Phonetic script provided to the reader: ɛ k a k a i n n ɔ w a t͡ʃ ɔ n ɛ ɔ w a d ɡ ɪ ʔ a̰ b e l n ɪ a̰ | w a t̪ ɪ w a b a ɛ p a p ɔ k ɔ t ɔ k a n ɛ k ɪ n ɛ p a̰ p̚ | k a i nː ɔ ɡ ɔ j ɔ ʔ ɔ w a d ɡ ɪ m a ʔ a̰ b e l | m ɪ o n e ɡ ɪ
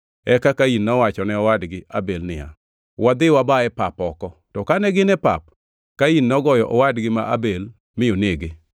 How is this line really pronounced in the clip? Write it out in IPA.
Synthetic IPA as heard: ɛ k a k a i n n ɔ w a t͡ʃ ɔ n ɛ ɔ w a d ɡ ɪ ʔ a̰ b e l n ɪ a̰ | w a d̪ ɪ w a b a ɛ p a p ɔ k ɔ t ɔ k a n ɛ ɡ ɪ n ɛ p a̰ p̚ | k a i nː ɔ ɡ ɔ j ɔ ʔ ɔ w a d ɡ ɪ m a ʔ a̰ b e l | m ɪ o n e ɡ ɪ